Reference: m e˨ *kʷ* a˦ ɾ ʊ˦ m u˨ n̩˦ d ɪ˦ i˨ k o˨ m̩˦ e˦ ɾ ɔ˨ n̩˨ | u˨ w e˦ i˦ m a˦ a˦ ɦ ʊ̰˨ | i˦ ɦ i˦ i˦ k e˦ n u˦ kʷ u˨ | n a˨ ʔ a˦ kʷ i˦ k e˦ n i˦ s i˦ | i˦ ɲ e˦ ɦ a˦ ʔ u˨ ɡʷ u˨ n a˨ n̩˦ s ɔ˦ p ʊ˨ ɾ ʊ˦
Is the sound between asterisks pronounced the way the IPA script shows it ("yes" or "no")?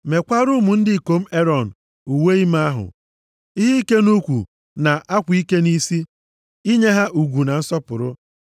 yes